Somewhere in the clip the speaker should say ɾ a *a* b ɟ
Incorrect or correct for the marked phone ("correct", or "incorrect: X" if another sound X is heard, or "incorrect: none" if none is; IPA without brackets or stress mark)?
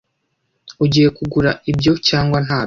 incorrect: i